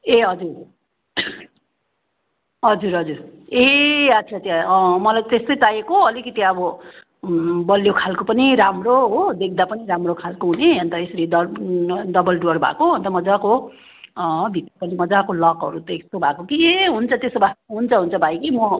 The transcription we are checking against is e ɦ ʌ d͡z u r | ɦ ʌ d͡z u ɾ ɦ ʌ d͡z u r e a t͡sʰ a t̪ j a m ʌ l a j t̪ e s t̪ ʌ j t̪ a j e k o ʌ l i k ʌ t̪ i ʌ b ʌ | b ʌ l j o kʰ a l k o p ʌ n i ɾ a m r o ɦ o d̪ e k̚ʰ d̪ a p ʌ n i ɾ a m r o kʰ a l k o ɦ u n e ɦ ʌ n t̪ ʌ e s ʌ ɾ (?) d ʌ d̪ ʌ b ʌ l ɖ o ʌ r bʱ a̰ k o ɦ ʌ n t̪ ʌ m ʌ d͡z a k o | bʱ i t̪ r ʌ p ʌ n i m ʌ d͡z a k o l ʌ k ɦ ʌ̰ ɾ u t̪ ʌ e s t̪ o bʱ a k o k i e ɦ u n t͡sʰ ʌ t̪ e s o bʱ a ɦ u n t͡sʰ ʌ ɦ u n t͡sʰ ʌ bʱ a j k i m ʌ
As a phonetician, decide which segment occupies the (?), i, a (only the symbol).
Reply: i